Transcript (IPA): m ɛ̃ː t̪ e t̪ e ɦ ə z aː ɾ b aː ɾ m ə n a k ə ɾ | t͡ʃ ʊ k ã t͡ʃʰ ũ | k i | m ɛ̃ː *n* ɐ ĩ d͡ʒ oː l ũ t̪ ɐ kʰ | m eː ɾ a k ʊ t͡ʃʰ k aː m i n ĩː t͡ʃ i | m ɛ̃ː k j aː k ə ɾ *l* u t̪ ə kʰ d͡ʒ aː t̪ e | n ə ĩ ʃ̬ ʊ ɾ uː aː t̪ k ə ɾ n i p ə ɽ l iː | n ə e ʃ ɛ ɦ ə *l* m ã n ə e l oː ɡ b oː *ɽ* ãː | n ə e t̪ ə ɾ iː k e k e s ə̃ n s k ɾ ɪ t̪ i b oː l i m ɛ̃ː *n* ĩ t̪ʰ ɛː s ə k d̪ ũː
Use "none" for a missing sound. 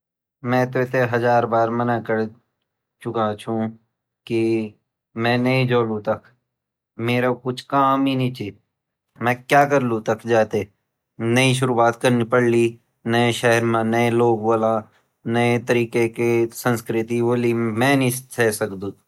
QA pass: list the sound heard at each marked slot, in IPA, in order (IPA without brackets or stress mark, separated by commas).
n, l, ɾ, l, n